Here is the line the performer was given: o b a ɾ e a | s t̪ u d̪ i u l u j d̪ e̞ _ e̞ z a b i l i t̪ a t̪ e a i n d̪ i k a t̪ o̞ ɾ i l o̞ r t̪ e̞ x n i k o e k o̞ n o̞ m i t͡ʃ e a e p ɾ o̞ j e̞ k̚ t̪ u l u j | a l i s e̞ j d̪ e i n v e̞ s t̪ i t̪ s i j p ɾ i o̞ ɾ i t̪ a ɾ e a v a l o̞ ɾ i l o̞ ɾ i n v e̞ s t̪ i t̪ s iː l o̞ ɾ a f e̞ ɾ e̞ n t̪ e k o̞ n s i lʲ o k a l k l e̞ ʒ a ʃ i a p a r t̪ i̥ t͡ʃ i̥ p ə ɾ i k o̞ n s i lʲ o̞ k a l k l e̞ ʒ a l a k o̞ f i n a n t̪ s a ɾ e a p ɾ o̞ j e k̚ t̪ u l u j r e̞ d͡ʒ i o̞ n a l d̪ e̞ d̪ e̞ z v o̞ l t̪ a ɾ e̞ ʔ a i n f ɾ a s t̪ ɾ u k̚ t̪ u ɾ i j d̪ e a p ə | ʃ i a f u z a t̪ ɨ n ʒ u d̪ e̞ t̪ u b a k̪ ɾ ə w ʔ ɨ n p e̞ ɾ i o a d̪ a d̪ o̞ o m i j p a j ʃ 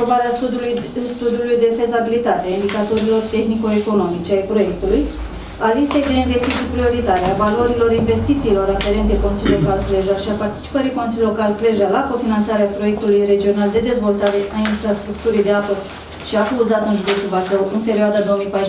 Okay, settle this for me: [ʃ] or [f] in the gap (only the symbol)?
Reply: f